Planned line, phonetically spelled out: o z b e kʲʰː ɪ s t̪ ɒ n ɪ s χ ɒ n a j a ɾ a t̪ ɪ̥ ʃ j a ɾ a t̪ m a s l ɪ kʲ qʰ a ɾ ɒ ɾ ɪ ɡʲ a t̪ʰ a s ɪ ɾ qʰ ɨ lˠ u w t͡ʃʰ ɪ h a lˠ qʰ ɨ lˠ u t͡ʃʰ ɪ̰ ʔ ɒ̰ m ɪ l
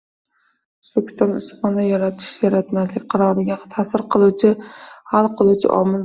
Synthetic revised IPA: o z b e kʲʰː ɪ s t̪ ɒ n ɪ s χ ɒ n a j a ɾ a t̪ʰ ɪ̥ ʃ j a ɾ a t̪ m a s l ɪ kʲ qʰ ɑ ɾ ɒ ɾ ɪ ɡʲ a t̪ʰ a s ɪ ɾ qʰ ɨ lˠ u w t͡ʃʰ ɪ h a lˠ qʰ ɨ lˠ u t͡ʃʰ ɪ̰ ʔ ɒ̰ m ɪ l